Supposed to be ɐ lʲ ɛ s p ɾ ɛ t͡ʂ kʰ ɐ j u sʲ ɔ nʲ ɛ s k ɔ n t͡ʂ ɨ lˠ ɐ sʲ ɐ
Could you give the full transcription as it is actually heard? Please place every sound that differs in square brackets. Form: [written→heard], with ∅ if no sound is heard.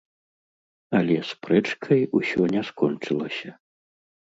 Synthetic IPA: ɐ lʲ ɛ s p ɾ ɛ t͡ʂ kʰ ɐ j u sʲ ɔ nʲ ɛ s k ɔ n t͡ʂ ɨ lˠ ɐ sʲ ɐ